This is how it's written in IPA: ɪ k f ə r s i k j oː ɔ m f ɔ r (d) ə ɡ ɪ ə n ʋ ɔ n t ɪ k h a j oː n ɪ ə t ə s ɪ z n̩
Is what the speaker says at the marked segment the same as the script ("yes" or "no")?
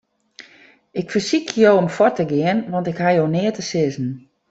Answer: no